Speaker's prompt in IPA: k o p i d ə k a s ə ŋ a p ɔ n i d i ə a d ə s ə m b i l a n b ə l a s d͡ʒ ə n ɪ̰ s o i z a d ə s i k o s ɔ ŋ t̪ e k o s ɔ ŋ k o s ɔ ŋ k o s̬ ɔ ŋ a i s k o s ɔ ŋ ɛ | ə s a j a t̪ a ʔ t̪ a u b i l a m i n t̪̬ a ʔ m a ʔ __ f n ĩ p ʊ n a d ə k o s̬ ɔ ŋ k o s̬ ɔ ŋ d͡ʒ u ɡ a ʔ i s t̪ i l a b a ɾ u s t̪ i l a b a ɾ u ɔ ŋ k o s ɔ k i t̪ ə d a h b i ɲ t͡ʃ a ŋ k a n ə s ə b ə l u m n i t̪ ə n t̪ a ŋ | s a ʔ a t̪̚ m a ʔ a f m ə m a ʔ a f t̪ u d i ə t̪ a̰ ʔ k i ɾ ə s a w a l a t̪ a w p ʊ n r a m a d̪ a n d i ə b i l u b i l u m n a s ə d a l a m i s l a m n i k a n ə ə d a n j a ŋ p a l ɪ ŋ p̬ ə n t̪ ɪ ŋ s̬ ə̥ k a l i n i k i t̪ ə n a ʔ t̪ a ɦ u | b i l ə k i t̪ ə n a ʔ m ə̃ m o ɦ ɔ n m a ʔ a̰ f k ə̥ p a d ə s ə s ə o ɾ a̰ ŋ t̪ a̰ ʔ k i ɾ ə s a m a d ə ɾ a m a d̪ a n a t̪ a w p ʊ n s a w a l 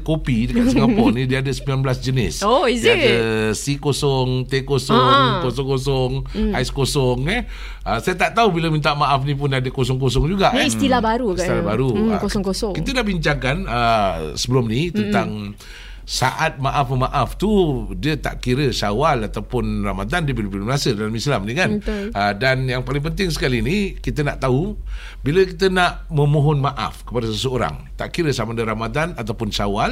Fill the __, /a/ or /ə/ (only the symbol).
a